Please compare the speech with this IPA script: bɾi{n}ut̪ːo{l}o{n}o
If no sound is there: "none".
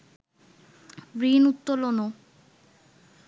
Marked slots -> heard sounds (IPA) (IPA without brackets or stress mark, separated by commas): n, l, n